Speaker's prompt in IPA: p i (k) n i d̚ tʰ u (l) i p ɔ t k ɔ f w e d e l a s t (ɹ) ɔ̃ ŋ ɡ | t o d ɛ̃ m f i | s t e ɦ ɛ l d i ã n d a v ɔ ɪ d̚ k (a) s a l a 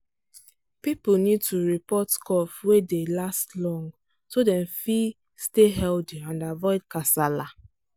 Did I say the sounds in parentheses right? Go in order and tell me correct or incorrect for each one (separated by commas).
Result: incorrect, incorrect, incorrect, correct